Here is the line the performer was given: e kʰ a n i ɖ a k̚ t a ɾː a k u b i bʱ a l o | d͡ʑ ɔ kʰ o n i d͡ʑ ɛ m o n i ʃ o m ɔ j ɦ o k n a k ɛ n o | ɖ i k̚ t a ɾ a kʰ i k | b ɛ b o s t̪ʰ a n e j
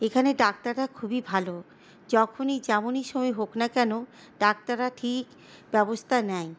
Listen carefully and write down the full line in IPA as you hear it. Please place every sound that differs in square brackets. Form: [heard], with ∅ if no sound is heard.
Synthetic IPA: e kʰ a n [e] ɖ a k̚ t a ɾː a [kʰ] u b i bʱ a l o | d͡ʑ ɔ kʰ o n i d͡ʑ ɛ m o n i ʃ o m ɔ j ɦ o k n a k ɛ n o | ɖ [a] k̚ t a ɾ a [ʈʰ] i k | b ɛ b o s t̪ʰ a n [ɛ] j